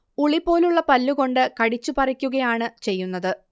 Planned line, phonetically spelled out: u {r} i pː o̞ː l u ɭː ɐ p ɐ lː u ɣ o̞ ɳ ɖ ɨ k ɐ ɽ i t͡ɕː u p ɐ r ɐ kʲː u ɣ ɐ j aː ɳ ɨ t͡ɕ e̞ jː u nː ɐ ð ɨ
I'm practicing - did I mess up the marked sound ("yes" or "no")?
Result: yes